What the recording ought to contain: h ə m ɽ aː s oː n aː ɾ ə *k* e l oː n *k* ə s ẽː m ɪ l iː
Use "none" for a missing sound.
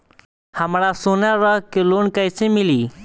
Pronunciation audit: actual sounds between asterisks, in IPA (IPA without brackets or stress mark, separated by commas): k, k